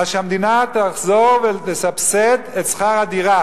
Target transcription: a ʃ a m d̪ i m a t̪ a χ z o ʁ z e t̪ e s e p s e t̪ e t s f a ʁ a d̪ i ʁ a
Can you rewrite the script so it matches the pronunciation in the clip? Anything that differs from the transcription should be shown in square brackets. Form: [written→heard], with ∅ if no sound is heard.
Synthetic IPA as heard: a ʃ a m d̪ i [m→n] a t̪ a χ z o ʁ [z→v] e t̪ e s [e→a] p s e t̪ e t s [f→χ] a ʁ a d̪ i ʁ a